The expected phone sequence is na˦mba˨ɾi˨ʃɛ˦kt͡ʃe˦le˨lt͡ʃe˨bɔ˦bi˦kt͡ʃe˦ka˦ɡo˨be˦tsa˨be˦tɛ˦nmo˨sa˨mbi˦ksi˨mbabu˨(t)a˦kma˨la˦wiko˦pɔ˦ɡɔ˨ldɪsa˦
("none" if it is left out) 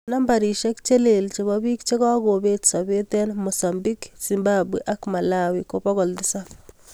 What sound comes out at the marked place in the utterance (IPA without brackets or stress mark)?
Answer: ʔ